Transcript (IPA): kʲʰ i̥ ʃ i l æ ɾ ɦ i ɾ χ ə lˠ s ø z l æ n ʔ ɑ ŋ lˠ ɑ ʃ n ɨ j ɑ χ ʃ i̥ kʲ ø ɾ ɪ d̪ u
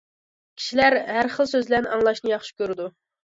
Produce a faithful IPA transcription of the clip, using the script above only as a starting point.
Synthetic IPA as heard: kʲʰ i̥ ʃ i l æ ɾ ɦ æ ɾ χ ə lˠ s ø z l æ n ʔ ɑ ŋ lˠ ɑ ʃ n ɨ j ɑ χ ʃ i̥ kʲ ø ɾ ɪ d̪ u